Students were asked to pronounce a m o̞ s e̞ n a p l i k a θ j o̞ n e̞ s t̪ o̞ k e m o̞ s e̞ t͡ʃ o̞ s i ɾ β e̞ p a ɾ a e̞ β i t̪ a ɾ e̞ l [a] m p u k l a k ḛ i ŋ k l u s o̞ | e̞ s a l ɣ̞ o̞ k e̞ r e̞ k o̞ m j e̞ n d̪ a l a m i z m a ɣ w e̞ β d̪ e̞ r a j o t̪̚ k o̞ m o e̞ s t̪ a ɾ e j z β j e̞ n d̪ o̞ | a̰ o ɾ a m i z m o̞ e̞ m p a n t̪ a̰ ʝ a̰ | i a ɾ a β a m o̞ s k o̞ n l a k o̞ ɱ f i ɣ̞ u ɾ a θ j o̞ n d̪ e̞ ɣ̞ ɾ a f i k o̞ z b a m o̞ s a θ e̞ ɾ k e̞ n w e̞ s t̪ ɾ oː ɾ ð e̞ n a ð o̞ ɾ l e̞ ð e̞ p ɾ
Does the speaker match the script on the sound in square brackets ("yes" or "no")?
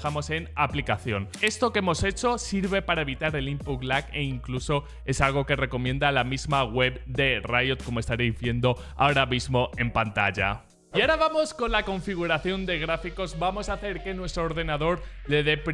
no